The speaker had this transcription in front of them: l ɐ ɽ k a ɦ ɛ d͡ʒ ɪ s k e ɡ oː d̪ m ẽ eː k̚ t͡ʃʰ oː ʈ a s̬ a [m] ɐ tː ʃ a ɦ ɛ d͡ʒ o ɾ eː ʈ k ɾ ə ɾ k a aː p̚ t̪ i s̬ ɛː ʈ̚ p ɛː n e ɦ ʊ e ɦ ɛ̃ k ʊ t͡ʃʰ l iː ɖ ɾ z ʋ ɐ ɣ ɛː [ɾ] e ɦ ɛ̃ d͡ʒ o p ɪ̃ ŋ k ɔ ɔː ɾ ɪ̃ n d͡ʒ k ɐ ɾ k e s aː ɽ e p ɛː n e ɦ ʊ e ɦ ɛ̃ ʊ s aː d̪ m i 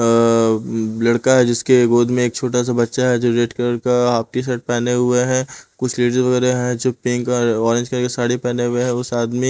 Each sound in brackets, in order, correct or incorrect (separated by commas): incorrect, correct